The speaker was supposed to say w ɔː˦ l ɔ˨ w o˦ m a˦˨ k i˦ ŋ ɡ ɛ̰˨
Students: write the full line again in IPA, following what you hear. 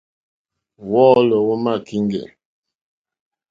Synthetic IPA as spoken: w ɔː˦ l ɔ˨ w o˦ m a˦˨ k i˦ ŋ ɡ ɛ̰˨

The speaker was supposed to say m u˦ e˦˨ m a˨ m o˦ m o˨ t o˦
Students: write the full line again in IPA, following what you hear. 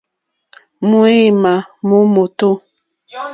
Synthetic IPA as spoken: m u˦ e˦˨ m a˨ m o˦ m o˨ t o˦

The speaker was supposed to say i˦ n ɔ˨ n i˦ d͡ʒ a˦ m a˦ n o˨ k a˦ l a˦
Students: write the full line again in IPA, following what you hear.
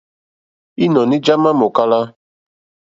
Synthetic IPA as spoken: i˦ n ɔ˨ n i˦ d͡ʒ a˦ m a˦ m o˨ k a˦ l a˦

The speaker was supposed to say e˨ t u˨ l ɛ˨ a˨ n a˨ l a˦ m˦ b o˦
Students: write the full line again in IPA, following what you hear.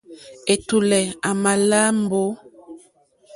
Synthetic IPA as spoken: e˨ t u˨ l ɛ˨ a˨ m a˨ l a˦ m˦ b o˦

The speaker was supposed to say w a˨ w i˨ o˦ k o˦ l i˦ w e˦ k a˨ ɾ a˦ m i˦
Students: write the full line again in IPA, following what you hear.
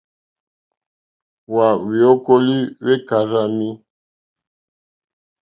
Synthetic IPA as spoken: w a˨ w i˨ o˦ k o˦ l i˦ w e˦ k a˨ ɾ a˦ m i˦

